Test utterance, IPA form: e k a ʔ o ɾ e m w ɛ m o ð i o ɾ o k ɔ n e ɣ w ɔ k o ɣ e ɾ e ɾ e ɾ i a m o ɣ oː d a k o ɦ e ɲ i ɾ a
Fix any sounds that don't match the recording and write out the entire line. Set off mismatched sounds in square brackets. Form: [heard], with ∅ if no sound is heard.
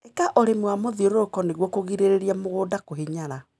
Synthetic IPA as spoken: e k a ʔ o ɾ e m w [a] m o ð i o ɾ o k ɔ n e ɣ w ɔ k o ɣ [i] ɾ e ɾ e ɾ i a m o ɣ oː d a k o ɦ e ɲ [a] ɾ a